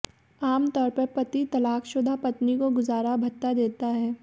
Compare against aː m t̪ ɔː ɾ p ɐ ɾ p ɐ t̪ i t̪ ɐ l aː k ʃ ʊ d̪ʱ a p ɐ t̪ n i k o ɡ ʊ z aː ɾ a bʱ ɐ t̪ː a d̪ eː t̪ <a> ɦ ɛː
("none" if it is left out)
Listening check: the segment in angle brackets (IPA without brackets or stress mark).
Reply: a